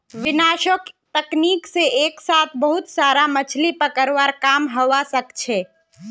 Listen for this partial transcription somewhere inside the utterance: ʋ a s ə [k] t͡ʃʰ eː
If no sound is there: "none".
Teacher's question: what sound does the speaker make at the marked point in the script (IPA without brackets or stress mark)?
k